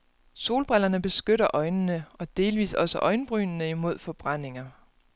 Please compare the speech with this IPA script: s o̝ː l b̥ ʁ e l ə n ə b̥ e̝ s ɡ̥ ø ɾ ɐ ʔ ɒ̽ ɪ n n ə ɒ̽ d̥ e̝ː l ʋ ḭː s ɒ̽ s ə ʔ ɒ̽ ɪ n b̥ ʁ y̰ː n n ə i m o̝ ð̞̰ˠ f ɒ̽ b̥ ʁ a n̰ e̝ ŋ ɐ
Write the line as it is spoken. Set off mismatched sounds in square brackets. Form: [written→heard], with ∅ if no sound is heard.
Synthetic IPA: s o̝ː l b̥ ʁ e l [ə→ɐ] n ə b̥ e̝ s ɡ̥ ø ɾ ɐ ʔ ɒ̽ ɪ n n ə ɒ̽ d̥ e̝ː l ʋ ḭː s ɒ̽ s ə ʔ ɒ̽ ɪ n b̥ ʁ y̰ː n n ə i m o̝ ð̞̰ˠ f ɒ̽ b̥ ʁ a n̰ e̝ ŋ ɐ